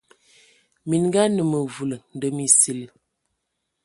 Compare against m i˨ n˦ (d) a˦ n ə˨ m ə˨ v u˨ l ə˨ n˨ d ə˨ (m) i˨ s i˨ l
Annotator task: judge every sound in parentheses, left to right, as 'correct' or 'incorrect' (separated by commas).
incorrect, correct